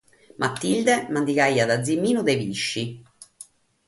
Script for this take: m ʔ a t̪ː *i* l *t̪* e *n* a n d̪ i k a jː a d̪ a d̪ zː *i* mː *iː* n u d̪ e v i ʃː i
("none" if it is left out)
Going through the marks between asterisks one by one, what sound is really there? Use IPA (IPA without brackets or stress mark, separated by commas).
i, d̪, m, i, iː